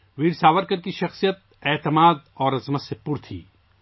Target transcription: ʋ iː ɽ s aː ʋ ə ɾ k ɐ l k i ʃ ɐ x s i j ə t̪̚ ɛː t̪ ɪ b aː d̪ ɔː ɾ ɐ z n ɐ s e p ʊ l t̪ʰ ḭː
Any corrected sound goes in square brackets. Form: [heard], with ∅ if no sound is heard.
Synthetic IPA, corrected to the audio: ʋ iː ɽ s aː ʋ ə ɾ k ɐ [ɾ] k i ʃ ɐ x s i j ə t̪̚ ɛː t̪ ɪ [m] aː d̪ ɔː ɾ ɐ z [m] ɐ s e p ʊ [ɾ] t̪ʰ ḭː